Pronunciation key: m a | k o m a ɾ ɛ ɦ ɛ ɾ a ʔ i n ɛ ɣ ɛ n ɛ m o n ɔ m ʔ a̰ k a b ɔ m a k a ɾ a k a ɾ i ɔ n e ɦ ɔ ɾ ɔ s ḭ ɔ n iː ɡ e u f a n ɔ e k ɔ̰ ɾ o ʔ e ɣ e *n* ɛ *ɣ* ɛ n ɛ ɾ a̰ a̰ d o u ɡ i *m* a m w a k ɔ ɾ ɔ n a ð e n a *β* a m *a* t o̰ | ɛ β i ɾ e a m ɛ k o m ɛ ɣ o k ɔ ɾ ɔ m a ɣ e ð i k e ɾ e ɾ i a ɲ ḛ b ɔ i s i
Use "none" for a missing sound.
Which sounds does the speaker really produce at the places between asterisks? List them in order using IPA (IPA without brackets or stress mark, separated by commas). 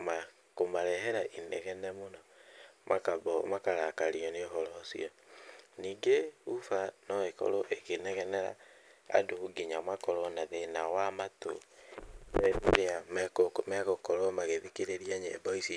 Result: n, ɣ, ɲ, w, a